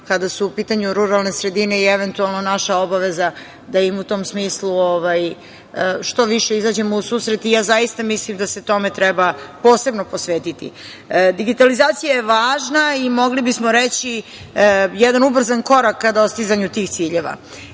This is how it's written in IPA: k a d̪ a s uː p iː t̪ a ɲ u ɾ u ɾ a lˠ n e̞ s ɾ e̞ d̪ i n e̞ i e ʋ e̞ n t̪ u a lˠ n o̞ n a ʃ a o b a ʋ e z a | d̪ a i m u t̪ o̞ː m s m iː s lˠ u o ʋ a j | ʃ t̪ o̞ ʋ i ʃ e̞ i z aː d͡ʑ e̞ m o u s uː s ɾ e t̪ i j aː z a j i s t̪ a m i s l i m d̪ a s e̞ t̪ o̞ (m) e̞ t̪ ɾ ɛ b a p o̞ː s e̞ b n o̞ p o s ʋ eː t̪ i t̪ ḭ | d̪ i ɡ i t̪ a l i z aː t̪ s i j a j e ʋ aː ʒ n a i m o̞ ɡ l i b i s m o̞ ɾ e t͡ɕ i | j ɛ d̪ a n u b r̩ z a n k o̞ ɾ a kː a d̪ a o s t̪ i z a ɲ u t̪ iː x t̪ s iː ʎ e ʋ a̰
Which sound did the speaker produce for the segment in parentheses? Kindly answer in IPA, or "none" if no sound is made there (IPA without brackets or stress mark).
m